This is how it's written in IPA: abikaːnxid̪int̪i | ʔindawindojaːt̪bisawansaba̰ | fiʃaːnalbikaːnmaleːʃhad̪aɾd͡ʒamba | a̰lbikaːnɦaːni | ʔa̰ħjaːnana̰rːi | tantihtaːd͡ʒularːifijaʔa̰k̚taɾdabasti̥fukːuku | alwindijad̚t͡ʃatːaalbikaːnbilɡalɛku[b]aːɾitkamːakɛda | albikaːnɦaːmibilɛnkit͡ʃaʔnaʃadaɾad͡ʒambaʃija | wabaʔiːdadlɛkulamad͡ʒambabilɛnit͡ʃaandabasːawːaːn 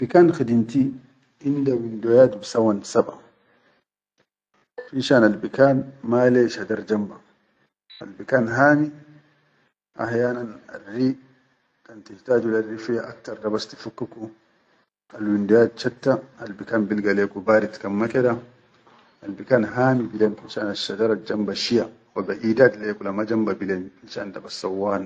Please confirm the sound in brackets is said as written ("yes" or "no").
yes